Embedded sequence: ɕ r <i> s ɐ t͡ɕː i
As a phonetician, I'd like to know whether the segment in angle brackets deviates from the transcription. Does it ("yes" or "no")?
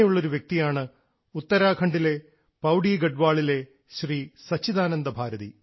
yes